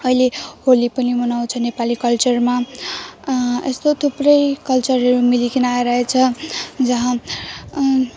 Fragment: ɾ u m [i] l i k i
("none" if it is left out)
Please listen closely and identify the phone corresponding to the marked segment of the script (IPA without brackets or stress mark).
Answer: i